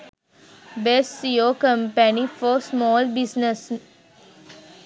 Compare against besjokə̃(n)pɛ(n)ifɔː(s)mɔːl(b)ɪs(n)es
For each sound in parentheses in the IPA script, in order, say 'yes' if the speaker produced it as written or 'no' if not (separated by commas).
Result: no, yes, yes, yes, yes